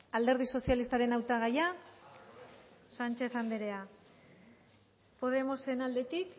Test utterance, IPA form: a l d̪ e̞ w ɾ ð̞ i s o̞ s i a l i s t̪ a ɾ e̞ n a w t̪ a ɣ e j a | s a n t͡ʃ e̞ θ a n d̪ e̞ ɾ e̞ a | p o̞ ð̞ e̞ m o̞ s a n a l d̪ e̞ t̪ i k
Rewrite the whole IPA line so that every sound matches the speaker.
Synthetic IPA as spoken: a l d̪ e̞ ɾ ð̞ i s o̞ s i a l i s t̪ a ɾ e̞ n a w t̪ a ɣ a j a | s a n t͡ʃ e̞ θ a n d̪ e̞ ɾ e̞ a | p o̞ ð̞ e̞ m o̞ s e n a l d̪ e̞ t̪ i k